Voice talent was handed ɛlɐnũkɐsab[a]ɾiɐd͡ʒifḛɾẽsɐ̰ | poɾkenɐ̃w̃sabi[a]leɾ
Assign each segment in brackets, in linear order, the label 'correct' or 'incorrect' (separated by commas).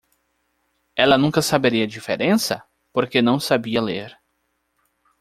incorrect, incorrect